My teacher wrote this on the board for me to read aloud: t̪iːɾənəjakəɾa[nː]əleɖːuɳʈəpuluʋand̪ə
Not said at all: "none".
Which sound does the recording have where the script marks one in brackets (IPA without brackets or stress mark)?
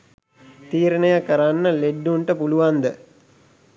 nː